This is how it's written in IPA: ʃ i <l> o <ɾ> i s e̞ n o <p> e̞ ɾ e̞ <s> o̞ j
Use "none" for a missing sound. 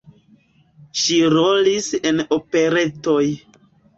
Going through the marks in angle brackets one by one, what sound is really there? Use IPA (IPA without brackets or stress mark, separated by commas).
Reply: ɾ, l, p, t